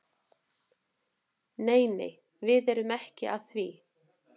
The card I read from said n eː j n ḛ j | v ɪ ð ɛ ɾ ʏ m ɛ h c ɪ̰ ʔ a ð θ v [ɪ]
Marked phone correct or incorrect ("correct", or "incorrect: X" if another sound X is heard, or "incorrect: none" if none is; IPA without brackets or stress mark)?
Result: incorrect: i